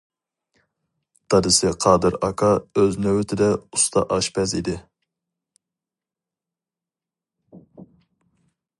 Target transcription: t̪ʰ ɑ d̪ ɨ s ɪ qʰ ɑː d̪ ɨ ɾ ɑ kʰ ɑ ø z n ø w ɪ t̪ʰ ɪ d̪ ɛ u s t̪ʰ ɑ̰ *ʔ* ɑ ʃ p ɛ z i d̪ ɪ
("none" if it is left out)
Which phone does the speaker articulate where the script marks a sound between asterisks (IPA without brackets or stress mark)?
ʔ